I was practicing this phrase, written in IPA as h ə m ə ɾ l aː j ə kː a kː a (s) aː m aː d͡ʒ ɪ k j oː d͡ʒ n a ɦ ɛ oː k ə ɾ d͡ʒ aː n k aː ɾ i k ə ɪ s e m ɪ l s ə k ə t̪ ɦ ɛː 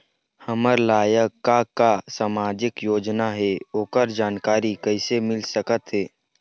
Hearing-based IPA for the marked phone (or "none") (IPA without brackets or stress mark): s